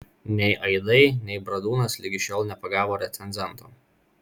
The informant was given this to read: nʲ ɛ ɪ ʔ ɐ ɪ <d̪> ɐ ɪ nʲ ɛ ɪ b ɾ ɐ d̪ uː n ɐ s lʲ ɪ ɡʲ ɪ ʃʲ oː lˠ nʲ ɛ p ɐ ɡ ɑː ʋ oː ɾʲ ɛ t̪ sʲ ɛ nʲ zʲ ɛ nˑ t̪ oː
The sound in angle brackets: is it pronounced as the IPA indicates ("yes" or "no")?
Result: yes